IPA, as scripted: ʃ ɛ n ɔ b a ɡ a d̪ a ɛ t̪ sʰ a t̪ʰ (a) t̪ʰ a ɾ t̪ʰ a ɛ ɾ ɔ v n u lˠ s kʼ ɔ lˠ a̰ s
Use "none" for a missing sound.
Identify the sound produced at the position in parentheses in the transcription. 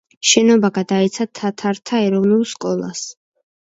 a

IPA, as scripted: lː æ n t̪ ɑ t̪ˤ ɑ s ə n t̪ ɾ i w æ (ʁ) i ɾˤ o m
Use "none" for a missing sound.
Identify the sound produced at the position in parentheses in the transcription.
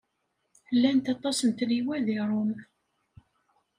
ð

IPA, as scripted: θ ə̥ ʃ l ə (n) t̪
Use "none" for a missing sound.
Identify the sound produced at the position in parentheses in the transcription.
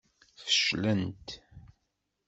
n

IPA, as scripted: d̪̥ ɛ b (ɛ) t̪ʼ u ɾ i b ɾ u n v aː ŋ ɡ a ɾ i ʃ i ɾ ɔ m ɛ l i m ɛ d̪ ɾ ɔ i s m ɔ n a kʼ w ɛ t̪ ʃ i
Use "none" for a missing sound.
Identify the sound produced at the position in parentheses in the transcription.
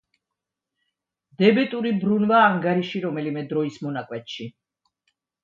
ɛ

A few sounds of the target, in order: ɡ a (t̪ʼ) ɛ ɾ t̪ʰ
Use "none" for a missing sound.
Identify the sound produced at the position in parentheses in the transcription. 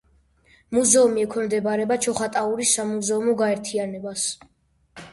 none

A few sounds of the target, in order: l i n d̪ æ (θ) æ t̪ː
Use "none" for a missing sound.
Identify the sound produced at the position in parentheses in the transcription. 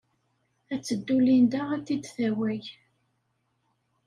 none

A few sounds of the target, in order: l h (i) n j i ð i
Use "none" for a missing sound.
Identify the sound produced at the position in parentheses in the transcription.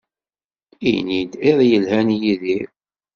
æ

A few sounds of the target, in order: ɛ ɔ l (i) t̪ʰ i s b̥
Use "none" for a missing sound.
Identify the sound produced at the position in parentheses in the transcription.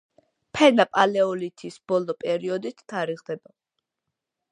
i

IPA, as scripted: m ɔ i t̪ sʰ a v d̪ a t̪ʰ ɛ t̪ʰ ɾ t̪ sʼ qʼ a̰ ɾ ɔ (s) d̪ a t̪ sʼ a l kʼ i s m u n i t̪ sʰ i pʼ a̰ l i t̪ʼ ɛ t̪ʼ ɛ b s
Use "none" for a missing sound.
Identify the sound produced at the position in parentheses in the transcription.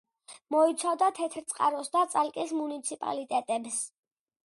s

